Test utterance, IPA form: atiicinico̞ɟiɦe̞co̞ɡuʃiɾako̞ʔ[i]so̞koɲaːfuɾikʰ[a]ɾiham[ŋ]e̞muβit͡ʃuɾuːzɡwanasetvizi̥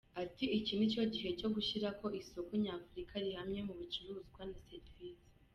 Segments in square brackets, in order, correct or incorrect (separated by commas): correct, correct, incorrect